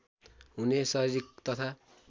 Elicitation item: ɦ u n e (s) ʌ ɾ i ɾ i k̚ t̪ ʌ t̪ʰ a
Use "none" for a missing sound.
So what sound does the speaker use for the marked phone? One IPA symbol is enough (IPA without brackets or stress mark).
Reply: s